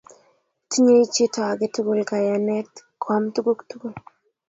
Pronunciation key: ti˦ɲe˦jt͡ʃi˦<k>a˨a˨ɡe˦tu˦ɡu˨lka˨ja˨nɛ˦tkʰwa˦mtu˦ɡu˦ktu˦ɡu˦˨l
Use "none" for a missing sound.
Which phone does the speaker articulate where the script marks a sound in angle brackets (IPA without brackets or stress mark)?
t